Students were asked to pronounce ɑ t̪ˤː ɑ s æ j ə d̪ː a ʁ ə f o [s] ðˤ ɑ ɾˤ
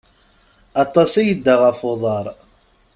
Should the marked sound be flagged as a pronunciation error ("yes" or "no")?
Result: yes